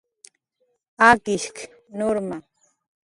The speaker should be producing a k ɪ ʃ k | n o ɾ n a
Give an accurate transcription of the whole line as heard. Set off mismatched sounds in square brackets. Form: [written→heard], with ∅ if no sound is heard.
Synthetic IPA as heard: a k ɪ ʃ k | n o ɾ [n→m] a

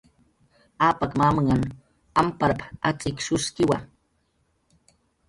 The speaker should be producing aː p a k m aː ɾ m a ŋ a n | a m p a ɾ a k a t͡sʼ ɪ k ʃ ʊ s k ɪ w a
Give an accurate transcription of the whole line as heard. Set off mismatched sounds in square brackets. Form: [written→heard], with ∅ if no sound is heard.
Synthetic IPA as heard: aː p a k m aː [ɾ→∅] m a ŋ a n | a m p a ɾ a [k→p] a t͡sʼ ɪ k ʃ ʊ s k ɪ w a

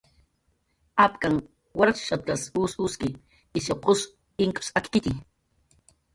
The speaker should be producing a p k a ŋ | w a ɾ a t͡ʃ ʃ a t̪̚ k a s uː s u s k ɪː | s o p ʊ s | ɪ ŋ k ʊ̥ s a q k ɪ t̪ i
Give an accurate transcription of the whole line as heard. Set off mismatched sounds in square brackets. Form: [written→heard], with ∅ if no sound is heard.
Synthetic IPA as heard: a p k a ŋ | w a ɾ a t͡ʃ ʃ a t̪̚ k a s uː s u s k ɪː | s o [p→q] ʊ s | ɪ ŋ k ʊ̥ s a [q→k] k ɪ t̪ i

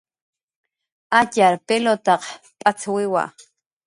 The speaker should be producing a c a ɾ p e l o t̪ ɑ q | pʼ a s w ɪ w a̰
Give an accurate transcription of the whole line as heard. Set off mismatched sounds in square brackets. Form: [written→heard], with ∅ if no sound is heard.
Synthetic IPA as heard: a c a ɾ p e l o t̪ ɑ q | pʼ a [s→t͡s] w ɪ w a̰

